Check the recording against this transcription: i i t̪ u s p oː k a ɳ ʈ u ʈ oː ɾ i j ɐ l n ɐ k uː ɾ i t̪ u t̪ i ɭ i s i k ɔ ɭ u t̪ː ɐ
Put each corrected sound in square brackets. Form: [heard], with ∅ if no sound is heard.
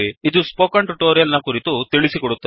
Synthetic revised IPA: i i [d̪] u s p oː k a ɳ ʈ u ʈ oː ɾ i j ɐ l n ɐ k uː ɾ i t̪ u t̪ i ɭ i s i k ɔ [ɽ] u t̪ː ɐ